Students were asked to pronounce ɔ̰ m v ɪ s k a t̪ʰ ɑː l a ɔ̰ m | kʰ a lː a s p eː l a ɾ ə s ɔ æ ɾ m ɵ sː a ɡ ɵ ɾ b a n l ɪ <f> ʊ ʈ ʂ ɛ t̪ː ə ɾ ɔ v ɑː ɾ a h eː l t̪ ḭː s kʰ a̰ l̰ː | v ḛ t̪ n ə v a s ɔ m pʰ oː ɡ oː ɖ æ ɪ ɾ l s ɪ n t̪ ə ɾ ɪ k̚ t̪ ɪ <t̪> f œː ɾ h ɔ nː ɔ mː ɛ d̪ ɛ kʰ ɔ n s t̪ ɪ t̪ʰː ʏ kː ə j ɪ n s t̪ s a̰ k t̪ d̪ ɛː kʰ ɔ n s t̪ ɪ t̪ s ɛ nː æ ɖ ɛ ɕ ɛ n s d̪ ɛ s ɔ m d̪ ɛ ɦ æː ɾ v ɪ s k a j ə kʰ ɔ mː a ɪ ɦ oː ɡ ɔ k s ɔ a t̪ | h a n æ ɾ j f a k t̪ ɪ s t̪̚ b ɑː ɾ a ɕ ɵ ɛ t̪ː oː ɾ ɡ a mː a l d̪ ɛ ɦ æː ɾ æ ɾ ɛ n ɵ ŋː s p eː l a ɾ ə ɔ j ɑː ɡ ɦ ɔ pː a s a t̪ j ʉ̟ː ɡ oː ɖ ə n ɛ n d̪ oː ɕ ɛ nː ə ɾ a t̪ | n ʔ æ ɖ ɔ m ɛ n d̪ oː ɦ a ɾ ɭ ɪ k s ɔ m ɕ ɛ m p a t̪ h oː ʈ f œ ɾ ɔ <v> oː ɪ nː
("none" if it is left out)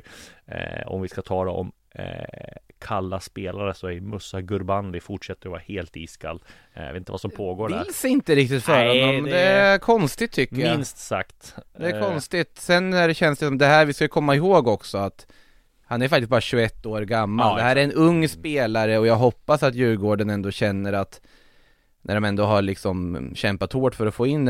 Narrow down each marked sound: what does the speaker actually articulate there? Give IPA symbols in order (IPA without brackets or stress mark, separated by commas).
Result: f, t̪, f